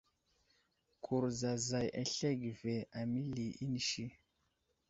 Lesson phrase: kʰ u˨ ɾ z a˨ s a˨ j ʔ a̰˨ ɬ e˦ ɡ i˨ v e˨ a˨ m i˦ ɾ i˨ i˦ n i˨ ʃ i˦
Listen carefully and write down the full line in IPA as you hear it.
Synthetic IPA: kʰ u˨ ɾ z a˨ z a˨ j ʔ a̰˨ ɬ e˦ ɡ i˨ v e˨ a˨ m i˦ l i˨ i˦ n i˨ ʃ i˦